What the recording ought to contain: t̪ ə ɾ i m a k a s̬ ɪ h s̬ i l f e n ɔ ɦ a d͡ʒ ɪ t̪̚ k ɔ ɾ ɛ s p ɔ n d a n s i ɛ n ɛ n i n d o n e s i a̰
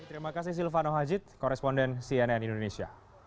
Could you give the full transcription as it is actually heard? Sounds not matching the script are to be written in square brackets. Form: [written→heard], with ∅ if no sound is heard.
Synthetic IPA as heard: t̪ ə ɾ i m a k a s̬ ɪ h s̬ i l f [e→a] n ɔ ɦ a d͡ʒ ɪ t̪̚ k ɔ ɾ ɛ s p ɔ n d [a→ɛ] n s i ɛ n ɛ n i n d o n e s i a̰